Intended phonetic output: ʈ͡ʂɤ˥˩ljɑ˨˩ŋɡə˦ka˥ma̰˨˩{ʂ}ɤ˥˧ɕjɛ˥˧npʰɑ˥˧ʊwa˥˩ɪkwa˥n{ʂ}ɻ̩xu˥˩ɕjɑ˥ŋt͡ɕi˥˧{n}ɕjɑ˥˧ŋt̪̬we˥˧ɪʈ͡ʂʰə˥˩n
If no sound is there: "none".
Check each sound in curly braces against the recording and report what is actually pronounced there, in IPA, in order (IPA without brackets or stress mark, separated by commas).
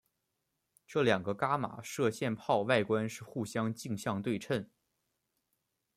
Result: ʂ, ʂ, ŋ